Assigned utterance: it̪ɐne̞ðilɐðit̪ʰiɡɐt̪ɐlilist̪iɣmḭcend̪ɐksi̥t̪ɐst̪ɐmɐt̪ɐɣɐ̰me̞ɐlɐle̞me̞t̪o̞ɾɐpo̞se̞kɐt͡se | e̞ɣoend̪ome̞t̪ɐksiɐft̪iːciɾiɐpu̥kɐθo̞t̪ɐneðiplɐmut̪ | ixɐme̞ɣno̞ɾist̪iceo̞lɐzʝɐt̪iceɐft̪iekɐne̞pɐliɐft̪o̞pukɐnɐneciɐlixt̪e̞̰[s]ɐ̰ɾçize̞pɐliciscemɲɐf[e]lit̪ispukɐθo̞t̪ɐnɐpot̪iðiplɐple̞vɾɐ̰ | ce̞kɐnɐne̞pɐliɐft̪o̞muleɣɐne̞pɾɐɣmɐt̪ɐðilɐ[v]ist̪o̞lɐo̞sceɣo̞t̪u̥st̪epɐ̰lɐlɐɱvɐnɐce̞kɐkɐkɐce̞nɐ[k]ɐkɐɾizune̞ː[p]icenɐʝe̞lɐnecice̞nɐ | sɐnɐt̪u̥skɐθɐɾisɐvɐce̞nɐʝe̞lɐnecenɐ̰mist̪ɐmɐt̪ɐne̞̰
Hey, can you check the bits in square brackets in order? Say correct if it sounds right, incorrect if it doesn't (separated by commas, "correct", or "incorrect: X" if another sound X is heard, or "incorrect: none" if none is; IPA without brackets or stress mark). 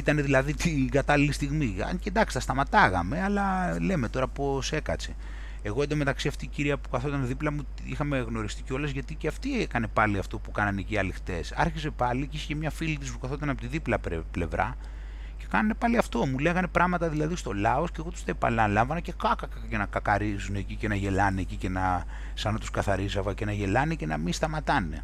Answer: correct, incorrect: i, incorrect: ð, correct, incorrect: c